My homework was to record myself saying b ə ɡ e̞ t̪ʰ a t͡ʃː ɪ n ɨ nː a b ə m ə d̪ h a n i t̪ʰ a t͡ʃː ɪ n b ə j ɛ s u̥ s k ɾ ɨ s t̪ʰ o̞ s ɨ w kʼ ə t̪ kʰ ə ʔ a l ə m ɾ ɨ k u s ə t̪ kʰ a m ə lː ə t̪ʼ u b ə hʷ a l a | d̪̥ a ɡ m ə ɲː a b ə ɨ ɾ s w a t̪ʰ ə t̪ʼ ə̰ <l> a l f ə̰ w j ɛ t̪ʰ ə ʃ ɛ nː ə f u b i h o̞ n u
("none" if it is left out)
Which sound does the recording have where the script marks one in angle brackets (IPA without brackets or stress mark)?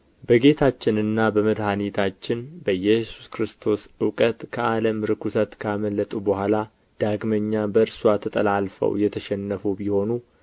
l